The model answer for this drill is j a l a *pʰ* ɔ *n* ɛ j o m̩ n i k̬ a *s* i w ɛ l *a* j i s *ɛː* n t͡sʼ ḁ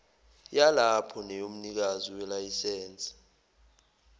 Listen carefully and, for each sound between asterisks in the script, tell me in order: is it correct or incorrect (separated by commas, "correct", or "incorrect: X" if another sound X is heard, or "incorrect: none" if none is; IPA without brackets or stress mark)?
correct, correct, incorrect: z, correct, correct